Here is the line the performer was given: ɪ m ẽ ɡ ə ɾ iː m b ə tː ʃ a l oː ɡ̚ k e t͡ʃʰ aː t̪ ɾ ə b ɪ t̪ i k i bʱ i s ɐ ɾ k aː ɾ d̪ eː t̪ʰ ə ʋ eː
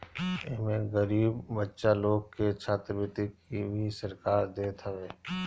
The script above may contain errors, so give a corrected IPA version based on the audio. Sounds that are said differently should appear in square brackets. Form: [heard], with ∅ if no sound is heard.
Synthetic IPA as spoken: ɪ m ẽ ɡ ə ɾ iː [b] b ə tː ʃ a l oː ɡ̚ k e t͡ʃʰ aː t̪ ɾ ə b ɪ t̪ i k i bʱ i s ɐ ɾ k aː ɾ d̪ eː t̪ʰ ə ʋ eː